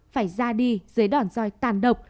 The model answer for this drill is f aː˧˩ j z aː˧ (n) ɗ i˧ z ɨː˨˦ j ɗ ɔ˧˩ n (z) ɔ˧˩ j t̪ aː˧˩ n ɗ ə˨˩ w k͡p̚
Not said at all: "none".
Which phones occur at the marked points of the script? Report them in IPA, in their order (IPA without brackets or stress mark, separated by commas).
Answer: none, z